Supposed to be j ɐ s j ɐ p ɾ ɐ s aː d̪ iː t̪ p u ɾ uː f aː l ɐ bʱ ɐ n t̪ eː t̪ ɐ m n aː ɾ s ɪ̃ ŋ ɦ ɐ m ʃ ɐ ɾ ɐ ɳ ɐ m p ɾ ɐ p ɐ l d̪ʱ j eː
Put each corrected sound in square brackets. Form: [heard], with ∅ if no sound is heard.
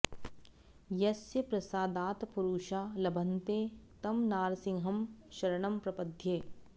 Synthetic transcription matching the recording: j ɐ s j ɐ p ɾ ɐ s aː d̪ [aː] t̪ p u ɾ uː [ʃ] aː l ɐ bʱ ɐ n t̪ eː t̪ ɐ m n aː ɾ s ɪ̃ ŋ ɦ ɐ m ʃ ɐ ɾ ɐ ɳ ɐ m p ɾ ɐ p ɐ [∅] d̪ʱ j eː